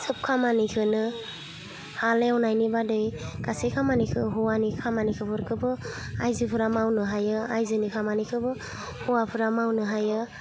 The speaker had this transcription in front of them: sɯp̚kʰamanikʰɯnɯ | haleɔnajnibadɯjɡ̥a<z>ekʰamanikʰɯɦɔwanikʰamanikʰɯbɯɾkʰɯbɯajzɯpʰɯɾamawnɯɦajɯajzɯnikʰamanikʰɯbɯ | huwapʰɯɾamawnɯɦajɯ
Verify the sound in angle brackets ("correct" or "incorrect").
incorrect